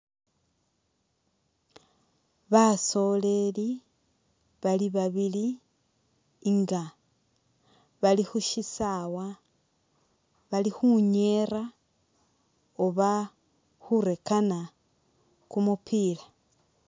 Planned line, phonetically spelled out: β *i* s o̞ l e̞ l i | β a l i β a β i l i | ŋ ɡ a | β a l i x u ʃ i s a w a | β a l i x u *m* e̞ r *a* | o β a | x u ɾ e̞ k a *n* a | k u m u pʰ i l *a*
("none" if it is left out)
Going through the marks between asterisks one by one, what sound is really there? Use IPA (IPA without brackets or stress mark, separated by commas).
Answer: a, ɲ, a, n, a